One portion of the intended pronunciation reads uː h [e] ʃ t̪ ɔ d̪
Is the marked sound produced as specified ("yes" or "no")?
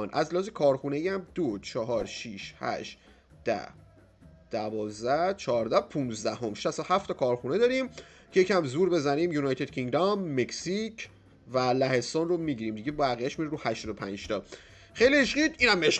no